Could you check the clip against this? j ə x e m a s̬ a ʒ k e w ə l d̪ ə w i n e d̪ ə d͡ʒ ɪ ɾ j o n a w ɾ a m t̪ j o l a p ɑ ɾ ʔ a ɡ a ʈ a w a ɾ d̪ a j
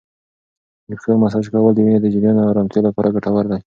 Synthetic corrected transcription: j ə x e m a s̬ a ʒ k a w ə l d̪ ə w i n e d̪ ə d͡ʒ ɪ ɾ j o n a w ɾ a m t̪ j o l a p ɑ ɾ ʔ a ɡ a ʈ a w a ɾ d̪ a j